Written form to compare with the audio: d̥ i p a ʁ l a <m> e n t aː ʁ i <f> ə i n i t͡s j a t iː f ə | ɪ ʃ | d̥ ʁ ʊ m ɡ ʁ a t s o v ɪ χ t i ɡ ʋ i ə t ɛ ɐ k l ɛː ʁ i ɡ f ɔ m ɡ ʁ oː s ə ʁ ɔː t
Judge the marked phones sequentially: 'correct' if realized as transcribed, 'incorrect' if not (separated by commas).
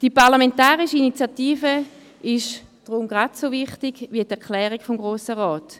correct, incorrect